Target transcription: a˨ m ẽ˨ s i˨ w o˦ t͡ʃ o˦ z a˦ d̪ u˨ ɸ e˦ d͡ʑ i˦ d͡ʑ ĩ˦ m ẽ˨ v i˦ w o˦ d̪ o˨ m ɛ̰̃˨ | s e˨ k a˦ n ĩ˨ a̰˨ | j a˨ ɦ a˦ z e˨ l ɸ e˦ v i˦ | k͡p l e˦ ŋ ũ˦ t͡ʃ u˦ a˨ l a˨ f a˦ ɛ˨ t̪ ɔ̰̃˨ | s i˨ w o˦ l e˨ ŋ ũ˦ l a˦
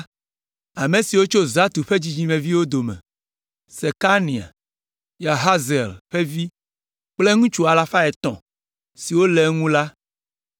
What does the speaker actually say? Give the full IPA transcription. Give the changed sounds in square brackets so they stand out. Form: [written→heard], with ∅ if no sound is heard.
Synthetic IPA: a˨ m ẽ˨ s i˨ w o˦ t͡ʃ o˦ z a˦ [d̪→t̪] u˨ ɸ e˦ d͡ʑ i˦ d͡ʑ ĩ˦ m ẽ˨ v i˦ w o˦ d̪ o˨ m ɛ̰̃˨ | s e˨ k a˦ n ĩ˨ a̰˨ | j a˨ ɦ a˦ z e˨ l ɸ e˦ v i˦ | k͡p l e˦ ŋ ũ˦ t͡ʃ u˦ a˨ l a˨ f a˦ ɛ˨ t̪ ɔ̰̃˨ | s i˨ w o˦ l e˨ ŋ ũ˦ l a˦